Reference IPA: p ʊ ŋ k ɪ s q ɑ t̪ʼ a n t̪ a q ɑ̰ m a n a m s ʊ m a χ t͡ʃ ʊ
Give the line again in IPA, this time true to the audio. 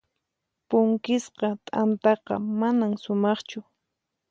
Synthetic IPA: p ʊ ŋ k ɪ s q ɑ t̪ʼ a n t̪ ɑ q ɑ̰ m a n a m s ʊ m ɑ χ t͡ʃ ʊ